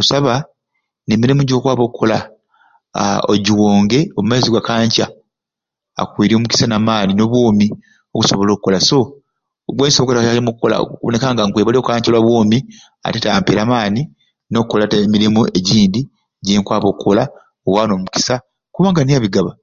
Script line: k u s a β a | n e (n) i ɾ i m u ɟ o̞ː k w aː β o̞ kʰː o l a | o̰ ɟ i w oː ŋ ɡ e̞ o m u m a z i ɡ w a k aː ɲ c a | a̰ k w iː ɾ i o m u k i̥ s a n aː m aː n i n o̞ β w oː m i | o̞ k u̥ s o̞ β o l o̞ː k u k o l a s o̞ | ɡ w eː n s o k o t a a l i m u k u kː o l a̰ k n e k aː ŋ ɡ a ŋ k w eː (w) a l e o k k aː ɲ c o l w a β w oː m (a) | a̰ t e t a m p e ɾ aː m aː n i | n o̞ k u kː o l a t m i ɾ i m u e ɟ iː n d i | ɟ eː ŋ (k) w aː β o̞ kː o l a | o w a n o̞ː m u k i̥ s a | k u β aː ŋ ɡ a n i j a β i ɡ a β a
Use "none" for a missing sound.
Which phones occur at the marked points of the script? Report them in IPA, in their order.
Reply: m, β, i, k

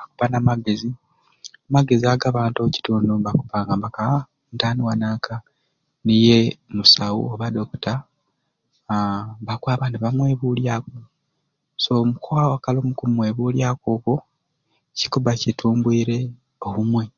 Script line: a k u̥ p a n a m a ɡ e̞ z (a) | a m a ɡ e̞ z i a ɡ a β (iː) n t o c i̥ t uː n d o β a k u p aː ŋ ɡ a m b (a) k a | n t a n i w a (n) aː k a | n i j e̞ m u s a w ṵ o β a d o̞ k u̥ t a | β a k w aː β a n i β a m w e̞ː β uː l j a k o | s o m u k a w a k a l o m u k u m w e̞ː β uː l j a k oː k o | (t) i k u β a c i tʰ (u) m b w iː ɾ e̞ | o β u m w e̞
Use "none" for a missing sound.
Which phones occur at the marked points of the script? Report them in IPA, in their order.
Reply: i, aː, a, n, c, uː

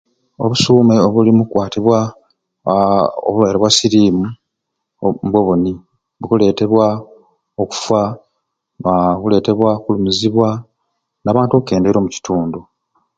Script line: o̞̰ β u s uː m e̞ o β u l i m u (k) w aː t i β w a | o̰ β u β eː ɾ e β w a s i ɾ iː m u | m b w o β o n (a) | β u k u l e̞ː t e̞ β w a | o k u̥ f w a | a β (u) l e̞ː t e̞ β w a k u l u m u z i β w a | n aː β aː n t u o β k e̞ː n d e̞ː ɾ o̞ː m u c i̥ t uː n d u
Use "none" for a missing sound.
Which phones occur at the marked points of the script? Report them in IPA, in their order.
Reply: k, i, u

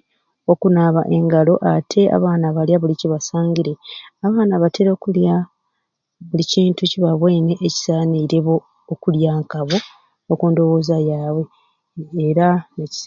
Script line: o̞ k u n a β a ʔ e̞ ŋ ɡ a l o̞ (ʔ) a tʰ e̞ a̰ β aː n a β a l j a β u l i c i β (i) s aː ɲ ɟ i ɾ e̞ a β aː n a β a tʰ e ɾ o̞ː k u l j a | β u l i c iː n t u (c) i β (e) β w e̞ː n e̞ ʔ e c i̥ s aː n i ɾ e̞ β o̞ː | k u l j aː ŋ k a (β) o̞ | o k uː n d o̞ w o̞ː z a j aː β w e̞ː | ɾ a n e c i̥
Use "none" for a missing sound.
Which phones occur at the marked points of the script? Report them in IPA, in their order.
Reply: ʔ, a, c, a, β

